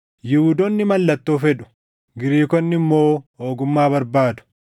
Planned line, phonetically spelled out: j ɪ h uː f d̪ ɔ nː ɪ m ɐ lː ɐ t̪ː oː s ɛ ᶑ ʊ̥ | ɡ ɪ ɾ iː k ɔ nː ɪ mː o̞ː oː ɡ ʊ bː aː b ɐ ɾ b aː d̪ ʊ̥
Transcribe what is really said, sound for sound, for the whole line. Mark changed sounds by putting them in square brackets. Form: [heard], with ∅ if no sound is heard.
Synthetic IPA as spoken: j ɪ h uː [∅] d̪ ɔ nː ɪ m ɐ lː ɐ t̪ː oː [f] ɛ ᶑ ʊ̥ | ɡ ɪ ɾ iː k ɔ nː ɪ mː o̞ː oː ɡ ʊ [mː] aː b ɐ ɾ b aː d̪ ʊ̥